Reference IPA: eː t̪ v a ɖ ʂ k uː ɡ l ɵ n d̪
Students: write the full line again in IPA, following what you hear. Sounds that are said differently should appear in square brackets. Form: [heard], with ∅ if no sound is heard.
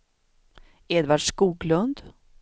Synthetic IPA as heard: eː [d̪] v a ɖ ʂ k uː ɡ l ɵ n d̪